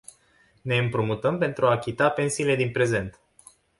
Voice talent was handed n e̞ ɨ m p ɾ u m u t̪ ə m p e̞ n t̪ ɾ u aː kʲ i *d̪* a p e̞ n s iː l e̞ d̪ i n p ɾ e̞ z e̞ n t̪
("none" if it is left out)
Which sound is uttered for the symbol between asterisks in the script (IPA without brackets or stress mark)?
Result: t̪